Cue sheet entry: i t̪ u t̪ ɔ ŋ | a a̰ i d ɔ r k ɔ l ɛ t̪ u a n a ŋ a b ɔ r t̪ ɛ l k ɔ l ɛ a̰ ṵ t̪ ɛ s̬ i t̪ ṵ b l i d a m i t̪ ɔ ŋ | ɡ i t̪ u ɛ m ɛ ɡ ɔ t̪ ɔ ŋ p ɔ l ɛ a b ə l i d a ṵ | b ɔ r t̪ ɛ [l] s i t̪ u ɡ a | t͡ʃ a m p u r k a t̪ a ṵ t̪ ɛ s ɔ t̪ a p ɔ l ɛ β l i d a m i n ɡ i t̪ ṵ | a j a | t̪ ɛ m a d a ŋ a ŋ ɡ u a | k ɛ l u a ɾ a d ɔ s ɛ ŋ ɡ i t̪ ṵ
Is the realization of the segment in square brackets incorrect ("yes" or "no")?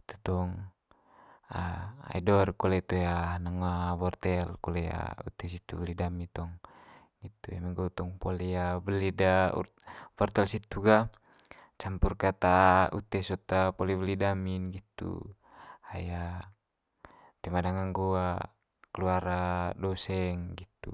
no